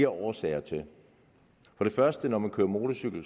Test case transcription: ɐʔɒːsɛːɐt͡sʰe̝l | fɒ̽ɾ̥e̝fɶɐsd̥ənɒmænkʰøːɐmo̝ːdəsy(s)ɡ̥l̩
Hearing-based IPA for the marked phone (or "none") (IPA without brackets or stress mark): none